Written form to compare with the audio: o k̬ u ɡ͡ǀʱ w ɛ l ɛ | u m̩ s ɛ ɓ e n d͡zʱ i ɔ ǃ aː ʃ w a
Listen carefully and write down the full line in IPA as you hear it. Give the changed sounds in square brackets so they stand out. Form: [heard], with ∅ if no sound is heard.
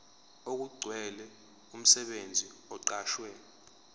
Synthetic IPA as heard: o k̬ u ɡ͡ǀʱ w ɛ l ɛ | u m̩ s ɛ ɓ e n d͡zʱ i ɔ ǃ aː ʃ w [ɛ]